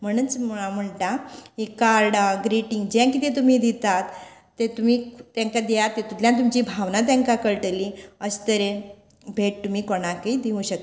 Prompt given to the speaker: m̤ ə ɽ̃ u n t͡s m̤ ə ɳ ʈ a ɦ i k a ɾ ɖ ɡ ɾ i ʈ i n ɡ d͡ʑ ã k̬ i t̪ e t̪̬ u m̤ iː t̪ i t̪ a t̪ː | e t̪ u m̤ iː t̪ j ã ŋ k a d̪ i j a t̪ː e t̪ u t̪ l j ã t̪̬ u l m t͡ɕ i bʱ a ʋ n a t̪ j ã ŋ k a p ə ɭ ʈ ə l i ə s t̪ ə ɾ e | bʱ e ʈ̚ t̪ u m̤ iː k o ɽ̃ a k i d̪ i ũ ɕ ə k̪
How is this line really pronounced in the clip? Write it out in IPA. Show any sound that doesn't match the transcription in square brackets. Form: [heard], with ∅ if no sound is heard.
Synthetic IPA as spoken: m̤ ə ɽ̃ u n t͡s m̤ ə ɳ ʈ a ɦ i k a ɾ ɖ ɡ ɾ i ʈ i [ŋ] ɡ d͡ʑ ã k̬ i t̪ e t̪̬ u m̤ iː [d̪] i t̪ a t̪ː | e t̪ u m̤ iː t̪ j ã ŋ k a d̪ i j a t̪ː e t̪ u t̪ l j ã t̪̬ u [∅] m t͡ɕ i bʱ a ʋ n a t̪ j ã ŋ k a [k] ə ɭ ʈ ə l i ə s t̪ ə ɾ e | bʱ e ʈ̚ t̪ u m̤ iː k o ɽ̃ a k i d̪ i ũ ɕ ə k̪

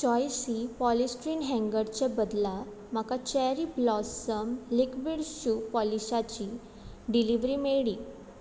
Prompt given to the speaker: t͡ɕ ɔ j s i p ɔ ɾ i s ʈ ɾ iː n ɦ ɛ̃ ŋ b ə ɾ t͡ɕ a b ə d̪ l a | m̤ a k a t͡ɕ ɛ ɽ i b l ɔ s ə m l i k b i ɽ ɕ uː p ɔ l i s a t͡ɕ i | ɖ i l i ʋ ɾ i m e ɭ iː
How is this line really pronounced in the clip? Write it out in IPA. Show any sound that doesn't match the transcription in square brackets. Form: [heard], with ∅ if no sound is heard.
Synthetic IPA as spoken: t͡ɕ ɔ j s i p ɔ [l] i s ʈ ɾ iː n ɦ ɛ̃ ŋ [ɡ] ə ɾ t͡ɕ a b ə d̪ l a | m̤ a k a t͡ɕ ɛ [ɾ] i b l ɔ s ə m l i k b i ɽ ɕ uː p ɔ l i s a t͡ɕ i | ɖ i l i ʋ ɾ i m e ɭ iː

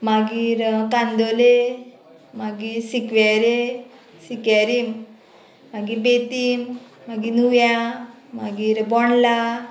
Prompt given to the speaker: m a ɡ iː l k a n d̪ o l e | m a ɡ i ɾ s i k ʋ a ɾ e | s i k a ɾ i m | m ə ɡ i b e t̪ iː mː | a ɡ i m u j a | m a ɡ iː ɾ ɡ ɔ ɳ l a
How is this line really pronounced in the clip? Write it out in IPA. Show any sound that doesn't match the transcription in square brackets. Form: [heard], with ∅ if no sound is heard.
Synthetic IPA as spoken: m a ɡ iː [ɾ] k a n d̪ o l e | m a ɡ i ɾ s i k ʋ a ɾ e | s i k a ɾ i m | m [a] ɡ i b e t̪ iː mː | a ɡ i [n] u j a | m a ɡ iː ɾ [b] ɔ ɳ l a

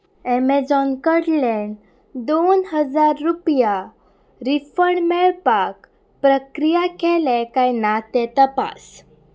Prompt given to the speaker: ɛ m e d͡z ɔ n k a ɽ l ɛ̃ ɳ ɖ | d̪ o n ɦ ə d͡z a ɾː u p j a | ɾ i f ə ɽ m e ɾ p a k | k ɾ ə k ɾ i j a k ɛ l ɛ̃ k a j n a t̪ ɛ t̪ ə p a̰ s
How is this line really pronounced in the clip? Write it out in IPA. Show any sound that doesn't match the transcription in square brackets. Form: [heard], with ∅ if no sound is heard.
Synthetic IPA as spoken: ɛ m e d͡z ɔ n k [ə] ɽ l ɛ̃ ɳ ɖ | d̪ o n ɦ ə d͡z a ɾː u p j a | ɾ i f ə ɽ m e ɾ p a k | [p] ɾ ə k ɾ i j a k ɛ l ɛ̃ k a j n a t̪ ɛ t̪ ə p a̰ s

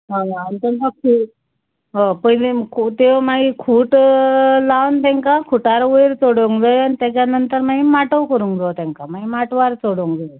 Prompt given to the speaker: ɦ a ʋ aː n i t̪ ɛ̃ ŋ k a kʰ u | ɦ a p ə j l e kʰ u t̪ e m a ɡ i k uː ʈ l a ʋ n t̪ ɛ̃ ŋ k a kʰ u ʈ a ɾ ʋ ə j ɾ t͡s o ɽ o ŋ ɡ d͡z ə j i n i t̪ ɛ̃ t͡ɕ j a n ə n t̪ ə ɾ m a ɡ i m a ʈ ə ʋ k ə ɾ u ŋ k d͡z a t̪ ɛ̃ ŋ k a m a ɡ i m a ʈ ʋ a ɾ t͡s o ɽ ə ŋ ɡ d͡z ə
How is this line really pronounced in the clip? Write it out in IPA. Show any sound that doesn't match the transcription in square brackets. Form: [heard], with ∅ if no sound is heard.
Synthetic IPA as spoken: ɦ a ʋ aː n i t̪ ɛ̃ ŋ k a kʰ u | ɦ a p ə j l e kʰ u t̪ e m a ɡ i [kʰ] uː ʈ l a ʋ n t̪ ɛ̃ ŋ k a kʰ u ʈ a ɾ ʋ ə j ɾ t͡s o ɽ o ŋ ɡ d͡z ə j [a] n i t̪ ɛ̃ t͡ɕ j a n ə n t̪ ə ɾ m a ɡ i m a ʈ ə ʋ k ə ɾ u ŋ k d͡z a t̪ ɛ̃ ŋ k a m a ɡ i m a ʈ ʋ a ɾ t͡s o ɽ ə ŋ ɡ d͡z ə

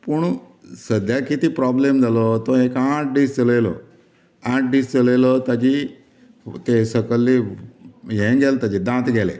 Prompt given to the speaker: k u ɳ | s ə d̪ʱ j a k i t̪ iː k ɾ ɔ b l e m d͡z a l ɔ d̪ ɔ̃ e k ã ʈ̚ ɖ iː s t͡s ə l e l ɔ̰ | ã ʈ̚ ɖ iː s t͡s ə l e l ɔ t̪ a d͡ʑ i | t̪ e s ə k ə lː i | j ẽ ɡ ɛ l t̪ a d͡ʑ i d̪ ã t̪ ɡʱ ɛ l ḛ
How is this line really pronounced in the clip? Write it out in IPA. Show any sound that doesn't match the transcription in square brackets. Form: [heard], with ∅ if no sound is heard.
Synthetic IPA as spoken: [p] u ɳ | s ə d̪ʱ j a k i t̪ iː [p] ɾ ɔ b l e m d͡z a l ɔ [t̪] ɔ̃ e k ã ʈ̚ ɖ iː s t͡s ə l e l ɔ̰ | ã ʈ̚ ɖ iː s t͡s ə l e l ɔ t̪ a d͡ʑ i | t̪ e s ə k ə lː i | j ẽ ɡ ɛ l t̪ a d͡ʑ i d̪ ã t̪ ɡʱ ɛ l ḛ

